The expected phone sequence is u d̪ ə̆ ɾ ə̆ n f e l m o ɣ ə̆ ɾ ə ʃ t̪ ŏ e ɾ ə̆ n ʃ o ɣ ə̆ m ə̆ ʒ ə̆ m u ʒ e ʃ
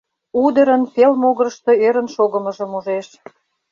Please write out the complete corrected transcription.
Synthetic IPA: u d̪ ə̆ ɾ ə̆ n f e l m o ɣ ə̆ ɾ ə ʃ t̪ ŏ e ɾ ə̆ n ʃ o ɣ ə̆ m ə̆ ʒ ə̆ m u ʒ e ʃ